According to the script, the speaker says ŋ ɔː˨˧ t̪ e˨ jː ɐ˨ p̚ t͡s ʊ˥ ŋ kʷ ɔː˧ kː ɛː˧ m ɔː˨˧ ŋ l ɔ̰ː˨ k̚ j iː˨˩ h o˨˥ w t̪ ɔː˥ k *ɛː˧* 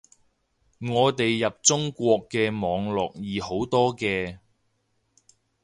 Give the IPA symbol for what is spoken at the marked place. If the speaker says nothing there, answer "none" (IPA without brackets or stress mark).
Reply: ɛː˧